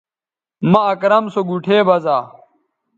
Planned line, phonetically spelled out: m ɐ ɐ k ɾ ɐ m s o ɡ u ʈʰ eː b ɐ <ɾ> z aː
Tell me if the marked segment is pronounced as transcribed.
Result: no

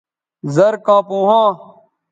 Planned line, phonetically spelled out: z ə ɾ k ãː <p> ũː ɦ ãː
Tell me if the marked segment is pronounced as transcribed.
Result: yes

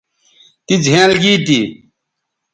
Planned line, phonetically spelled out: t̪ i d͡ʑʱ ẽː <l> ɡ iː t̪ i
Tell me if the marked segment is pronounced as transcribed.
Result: yes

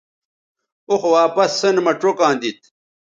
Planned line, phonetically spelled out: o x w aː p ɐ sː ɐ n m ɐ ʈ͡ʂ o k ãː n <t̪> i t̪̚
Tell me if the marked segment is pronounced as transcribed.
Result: no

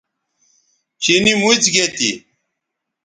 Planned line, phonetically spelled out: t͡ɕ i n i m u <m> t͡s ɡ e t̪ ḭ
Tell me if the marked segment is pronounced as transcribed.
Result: no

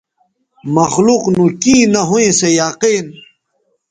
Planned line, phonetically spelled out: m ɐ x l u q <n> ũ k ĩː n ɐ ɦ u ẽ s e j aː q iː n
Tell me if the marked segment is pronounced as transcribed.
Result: yes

